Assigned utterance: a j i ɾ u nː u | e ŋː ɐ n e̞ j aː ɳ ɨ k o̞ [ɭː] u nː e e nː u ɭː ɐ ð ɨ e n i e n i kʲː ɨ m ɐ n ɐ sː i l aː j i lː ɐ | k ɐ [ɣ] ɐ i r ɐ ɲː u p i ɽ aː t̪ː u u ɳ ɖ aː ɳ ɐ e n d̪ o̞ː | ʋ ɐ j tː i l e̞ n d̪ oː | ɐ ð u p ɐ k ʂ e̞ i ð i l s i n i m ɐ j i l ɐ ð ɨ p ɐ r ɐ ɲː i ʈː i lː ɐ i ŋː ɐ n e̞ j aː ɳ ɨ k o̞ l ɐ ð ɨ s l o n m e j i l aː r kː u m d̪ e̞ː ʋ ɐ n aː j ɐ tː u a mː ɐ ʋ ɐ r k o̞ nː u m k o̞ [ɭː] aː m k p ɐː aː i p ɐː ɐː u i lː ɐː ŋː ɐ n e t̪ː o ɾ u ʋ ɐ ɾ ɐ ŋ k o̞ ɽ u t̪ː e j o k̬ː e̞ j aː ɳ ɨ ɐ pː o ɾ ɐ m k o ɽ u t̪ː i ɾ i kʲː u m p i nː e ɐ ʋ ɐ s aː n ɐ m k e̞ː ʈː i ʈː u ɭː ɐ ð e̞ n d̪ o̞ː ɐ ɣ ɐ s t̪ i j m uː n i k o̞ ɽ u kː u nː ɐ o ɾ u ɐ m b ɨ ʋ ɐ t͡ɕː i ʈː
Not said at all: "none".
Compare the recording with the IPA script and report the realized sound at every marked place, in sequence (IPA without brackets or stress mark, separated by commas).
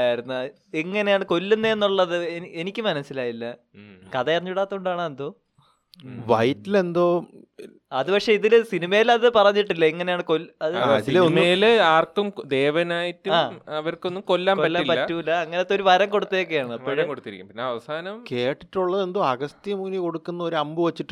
lː, ð, lː